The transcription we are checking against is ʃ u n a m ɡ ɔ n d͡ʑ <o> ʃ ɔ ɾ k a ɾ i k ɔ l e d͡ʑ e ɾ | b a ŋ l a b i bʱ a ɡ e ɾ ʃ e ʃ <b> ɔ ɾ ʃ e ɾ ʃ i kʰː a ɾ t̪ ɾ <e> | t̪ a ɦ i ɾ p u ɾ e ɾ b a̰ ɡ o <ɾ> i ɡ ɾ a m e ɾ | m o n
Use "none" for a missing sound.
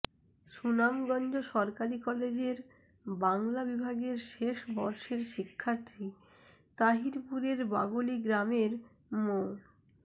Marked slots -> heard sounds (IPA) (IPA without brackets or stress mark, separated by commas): o, b, i, l